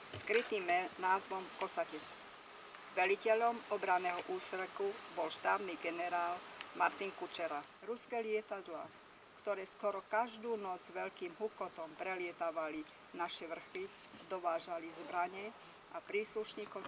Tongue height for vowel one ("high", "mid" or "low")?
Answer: high